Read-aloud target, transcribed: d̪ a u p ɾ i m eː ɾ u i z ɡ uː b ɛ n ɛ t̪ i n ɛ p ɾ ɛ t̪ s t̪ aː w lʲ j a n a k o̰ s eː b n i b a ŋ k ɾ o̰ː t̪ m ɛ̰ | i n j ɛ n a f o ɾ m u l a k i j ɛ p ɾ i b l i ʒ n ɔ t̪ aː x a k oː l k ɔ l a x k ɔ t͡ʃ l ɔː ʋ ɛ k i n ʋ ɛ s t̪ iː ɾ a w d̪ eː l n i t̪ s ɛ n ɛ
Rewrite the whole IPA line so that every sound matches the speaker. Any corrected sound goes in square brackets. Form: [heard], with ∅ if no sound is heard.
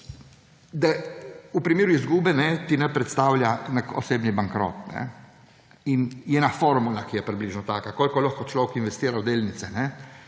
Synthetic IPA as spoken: d̪ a u p ɾ i m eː ɾ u i z ɡ uː b ɛ n ɛ t̪ i n ɛ p ɾ ɛ t̪ s t̪ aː w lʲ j a n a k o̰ s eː b n i b a ŋ k ɾ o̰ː t̪ [n] ɛ̰ | i n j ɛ n a f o ɾ m u l a k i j ɛ p ɾ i b l i ʒ n ɔ t̪ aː [k] a k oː l k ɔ l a x k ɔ t͡ʃ l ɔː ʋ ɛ k i n ʋ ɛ s t̪ iː ɾ a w d̪ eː l n i t̪ s ɛ n ɛ